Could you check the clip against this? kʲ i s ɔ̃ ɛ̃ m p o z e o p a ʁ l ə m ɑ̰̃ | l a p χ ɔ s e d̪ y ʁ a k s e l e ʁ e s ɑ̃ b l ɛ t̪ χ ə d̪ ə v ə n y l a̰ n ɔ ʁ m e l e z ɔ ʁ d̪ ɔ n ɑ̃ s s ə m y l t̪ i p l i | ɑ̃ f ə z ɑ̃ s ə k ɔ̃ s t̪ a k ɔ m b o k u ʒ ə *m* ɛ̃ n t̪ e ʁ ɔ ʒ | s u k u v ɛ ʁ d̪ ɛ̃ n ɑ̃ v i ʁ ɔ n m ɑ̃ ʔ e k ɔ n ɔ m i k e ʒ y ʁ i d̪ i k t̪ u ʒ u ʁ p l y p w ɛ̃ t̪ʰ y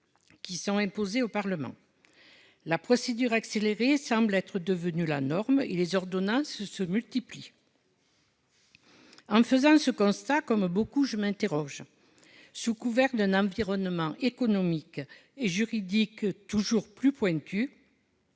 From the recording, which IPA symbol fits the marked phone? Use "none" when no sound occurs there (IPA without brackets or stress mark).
m